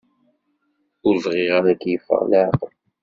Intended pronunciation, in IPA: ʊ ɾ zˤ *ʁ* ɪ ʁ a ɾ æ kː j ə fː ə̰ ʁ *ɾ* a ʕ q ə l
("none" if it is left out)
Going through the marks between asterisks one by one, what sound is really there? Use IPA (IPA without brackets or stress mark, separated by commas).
ʁ, l